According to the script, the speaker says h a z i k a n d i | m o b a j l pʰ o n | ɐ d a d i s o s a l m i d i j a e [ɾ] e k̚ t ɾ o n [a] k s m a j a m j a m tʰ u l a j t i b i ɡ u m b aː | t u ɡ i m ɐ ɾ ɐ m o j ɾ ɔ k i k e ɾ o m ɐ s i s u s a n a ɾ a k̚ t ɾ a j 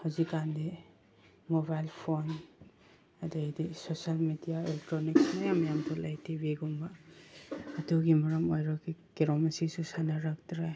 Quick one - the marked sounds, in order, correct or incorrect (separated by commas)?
incorrect, incorrect